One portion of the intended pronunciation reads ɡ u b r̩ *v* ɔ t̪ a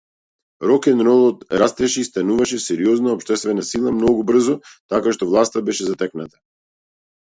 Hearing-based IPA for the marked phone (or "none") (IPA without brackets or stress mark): z